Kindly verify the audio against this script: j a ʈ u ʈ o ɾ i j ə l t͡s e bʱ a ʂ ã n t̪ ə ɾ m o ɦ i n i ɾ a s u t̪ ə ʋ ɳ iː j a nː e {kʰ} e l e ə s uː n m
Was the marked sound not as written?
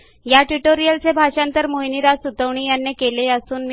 yes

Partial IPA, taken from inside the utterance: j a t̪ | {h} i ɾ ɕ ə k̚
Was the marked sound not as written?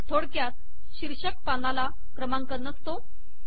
yes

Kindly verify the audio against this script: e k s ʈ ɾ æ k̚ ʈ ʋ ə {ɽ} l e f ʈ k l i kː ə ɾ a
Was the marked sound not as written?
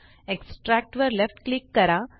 yes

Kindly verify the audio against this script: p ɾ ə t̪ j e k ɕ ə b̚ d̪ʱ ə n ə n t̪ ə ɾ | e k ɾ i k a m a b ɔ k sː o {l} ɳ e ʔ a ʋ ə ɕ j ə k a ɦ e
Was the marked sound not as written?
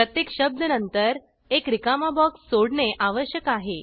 yes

